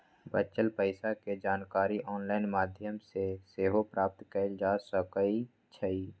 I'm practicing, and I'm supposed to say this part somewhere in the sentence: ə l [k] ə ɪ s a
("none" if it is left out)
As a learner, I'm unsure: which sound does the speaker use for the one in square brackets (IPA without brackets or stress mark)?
p